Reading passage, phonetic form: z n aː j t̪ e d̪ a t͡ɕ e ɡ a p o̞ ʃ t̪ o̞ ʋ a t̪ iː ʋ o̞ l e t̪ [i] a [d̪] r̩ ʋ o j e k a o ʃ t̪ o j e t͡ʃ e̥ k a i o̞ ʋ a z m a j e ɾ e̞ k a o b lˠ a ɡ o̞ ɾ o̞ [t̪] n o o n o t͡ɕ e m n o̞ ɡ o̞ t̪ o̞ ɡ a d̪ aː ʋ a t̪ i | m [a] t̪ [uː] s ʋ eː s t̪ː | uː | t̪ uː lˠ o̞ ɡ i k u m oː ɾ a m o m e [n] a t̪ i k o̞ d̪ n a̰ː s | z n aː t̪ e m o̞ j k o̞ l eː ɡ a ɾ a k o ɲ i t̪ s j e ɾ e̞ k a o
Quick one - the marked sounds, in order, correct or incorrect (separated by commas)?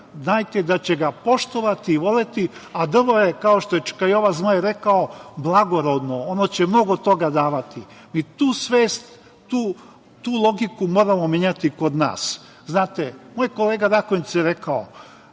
correct, correct, incorrect, incorrect, correct, incorrect